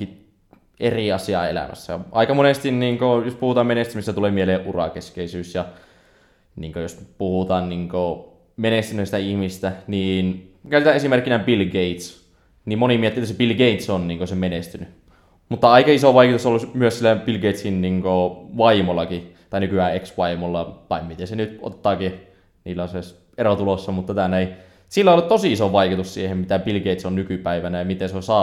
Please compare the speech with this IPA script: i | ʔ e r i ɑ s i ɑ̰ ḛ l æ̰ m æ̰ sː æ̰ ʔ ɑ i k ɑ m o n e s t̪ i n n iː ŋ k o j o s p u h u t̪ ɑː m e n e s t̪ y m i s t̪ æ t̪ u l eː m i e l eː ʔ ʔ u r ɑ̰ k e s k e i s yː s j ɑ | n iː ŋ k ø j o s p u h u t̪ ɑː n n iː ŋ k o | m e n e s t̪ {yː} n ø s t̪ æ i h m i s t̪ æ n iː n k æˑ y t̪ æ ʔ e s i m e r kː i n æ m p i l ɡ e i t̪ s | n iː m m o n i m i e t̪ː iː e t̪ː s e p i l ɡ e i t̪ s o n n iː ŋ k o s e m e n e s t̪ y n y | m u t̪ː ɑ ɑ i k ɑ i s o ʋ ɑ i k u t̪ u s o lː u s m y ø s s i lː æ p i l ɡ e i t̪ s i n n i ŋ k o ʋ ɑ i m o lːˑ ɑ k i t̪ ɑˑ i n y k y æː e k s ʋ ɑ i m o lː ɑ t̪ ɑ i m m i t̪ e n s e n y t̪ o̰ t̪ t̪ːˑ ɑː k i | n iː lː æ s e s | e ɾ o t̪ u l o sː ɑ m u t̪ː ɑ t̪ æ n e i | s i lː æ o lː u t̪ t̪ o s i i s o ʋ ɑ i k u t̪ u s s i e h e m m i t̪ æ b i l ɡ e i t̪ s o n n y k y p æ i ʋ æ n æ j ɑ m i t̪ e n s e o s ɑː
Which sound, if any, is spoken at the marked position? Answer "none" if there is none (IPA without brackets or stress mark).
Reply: y